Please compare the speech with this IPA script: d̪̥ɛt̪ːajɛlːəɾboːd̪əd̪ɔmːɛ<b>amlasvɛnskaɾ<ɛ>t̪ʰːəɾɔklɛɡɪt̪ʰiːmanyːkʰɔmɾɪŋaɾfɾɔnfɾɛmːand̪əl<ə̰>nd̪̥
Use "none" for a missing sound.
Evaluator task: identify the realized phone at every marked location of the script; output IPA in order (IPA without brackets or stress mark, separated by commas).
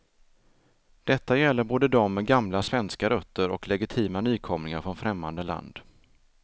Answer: ɡ, œ, a̰